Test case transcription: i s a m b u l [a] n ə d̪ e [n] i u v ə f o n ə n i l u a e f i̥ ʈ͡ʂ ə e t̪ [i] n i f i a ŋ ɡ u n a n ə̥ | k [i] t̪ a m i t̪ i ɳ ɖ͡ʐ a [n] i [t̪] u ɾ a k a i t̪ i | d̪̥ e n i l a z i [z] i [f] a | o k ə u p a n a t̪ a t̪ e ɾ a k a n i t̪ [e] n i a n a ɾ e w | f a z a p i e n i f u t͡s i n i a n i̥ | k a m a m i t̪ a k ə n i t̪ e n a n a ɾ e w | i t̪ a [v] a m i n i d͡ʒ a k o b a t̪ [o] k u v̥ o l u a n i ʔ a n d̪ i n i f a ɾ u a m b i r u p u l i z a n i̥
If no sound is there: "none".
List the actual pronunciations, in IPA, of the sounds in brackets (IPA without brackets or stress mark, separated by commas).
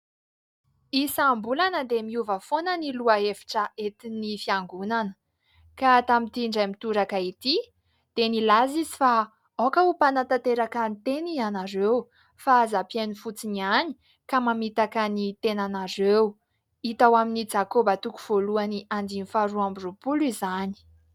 a, m, i, a, m, t̪, z, f, e, w, u